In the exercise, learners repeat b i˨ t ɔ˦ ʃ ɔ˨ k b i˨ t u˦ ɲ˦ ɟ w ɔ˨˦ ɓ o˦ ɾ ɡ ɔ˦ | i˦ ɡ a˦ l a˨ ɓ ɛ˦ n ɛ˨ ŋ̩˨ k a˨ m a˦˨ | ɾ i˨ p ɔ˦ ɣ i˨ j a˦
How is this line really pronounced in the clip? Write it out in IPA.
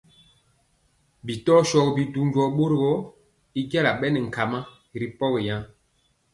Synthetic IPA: b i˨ t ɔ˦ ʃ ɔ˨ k b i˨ d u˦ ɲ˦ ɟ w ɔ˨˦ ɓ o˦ ɾ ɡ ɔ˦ | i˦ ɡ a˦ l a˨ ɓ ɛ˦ n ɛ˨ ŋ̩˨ k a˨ m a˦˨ | ɾ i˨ p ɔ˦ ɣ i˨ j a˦